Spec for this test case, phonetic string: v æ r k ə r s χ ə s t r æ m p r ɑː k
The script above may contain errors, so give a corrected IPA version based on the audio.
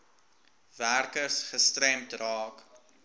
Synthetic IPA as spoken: v æ r k ə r s χ ə s t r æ m t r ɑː k